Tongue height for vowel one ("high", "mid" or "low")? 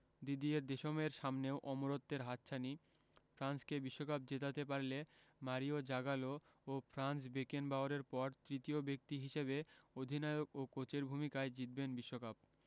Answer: high